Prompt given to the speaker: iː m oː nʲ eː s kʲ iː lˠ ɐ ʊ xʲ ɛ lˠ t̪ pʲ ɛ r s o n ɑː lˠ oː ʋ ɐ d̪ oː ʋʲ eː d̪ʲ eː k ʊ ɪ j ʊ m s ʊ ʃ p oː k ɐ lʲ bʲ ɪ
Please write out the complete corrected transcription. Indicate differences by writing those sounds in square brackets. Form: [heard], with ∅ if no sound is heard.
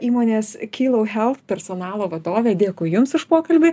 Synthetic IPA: iː m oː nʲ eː s kʲ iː lˠ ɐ ʊ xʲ ɛ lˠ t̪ pʲ ɛ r s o n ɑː lˠ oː ʋ ɐ d̪ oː ʋʲ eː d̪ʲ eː k ʊ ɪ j ʊ m s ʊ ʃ p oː k ɐ lʲ bʲ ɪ